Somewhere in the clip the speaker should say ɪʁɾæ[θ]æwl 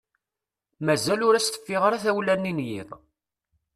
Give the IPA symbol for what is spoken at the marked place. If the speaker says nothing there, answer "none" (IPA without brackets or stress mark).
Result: θ